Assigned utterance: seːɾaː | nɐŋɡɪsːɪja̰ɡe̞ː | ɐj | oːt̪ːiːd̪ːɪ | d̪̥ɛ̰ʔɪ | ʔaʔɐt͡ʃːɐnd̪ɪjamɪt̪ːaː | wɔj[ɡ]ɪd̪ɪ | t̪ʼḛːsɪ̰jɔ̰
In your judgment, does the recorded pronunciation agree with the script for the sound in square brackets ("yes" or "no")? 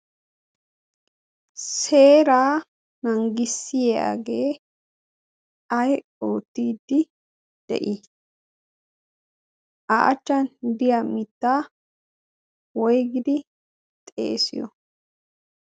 yes